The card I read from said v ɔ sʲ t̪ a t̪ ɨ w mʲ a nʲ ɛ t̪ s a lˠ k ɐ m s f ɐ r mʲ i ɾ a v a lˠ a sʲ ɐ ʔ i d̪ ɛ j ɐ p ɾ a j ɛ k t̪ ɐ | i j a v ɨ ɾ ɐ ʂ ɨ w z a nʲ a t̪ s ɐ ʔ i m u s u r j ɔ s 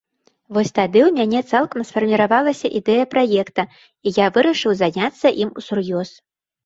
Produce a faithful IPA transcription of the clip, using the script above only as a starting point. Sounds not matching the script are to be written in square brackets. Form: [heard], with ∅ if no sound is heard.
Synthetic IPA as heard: v ɔ sʲ t̪ a [d̪] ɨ w mʲ a nʲ ɛ t̪ s a lˠ k ɐ m s f ɐ r mʲ i ɾ a v a lˠ [ɐ] sʲ ɐ ʔ i d̪ ɛ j ɐ p ɾ a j ɛ k t̪ ɐ | i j a v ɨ ɾ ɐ ʂ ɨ w z a nʲ a t̪ [sː] ɐ ʔ i m u s u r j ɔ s